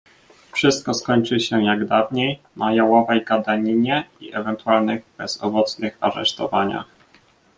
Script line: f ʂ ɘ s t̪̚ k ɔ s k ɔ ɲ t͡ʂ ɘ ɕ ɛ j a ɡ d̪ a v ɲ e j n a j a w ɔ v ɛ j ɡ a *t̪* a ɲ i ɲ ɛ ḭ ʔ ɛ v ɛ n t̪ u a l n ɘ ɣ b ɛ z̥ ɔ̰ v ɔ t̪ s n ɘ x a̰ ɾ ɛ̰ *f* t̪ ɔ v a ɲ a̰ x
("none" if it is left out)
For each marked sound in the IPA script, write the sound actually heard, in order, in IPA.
d̪, ʂ

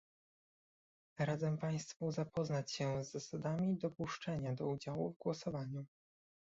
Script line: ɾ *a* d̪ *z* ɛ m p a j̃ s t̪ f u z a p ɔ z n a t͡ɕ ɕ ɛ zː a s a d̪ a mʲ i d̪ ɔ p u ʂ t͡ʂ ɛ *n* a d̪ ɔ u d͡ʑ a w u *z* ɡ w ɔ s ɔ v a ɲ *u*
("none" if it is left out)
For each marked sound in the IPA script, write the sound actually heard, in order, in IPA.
a, z, ɲ, v, u

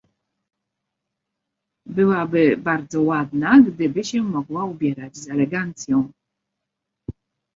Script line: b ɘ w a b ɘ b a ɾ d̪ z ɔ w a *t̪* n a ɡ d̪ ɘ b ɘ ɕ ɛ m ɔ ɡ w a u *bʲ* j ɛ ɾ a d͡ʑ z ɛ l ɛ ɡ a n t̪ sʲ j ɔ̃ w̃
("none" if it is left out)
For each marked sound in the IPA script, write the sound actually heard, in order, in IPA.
d̪, bʲ

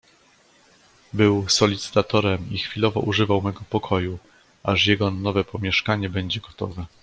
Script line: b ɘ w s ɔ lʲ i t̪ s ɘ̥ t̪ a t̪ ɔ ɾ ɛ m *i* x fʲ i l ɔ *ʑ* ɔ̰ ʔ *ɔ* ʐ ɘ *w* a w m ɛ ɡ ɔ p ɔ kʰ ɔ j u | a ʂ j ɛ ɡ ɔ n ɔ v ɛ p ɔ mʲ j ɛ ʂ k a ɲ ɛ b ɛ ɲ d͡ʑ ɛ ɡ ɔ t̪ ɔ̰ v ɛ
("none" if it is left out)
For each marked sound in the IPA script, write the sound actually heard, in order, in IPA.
i, v, u, v

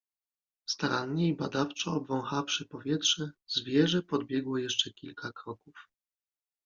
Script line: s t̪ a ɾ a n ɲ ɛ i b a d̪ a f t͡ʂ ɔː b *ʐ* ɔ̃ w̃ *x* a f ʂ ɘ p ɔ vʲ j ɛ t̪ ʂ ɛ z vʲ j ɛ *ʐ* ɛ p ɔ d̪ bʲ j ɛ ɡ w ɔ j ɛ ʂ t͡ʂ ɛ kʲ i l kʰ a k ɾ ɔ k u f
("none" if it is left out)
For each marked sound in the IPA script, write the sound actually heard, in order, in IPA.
v, x, ʐ

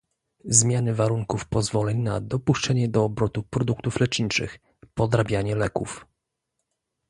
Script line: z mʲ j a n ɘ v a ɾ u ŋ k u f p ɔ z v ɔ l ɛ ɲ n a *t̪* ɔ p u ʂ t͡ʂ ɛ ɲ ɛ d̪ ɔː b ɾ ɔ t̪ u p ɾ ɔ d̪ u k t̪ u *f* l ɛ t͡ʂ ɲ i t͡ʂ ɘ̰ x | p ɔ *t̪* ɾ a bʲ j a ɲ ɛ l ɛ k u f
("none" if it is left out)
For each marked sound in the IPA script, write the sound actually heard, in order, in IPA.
d̪, f, d̪

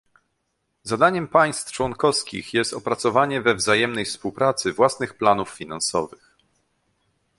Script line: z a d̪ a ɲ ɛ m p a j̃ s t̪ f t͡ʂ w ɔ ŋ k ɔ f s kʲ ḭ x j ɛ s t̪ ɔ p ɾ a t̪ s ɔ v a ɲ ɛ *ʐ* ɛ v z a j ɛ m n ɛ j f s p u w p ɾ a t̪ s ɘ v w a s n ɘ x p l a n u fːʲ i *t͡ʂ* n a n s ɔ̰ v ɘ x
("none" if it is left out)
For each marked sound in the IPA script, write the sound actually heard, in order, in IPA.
v, none

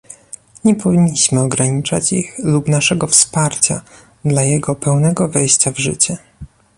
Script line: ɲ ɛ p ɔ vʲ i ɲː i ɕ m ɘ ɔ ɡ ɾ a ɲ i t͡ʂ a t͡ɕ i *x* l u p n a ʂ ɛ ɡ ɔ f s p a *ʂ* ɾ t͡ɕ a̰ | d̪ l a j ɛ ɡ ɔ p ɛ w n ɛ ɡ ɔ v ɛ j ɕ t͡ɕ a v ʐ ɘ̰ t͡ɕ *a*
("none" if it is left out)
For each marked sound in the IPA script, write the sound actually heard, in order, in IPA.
x, none, ɛ

